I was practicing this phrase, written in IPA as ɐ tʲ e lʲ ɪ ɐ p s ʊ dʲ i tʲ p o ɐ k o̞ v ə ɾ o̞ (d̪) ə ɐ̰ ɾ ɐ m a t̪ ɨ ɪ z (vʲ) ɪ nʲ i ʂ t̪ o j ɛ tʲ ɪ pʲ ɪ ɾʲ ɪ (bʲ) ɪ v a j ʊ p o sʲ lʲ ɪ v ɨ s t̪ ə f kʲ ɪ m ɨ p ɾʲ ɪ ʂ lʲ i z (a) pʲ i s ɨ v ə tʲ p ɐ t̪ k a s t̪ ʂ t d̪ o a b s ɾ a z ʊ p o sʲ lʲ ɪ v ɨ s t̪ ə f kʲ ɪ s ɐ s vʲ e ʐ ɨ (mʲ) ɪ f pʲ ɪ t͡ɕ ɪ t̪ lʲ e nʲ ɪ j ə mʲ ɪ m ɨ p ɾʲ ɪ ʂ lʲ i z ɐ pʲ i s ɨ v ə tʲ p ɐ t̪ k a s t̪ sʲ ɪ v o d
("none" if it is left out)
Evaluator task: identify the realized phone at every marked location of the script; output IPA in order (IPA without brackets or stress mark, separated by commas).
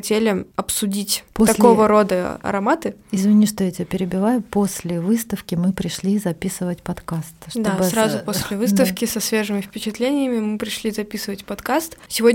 d̪, vʲ, bʲ, ɐ, mʲ